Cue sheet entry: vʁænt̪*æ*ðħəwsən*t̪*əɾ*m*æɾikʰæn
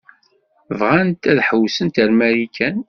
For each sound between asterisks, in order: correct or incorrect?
correct, correct, correct

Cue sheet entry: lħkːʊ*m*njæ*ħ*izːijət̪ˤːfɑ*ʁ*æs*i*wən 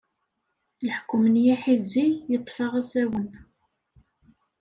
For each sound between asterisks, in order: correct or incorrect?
correct, correct, correct, incorrect: æ

